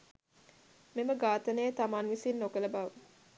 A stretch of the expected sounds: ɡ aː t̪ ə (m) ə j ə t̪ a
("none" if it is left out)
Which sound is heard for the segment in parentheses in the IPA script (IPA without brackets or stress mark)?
n